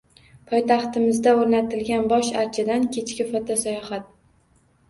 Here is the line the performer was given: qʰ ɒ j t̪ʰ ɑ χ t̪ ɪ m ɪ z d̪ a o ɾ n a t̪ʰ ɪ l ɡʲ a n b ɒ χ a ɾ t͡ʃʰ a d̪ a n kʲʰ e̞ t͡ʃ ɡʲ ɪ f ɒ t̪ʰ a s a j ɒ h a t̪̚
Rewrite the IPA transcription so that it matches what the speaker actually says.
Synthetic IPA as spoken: pʰ ɒ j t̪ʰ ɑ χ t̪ ɪ m ɪ z d̪ a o ɾ n a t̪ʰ ɪ l ɡʲ a n b ɒ ʃ a ɾ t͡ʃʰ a d̪ a n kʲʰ e̞ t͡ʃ kʲ ɪ f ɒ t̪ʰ a s a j ɒ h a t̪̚